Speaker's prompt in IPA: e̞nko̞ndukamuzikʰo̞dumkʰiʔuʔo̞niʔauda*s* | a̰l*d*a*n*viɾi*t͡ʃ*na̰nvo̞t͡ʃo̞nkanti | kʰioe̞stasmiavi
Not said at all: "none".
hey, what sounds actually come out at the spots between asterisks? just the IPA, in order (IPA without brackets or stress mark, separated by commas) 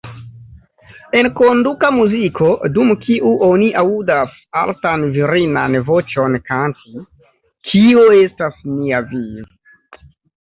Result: s, t, n, none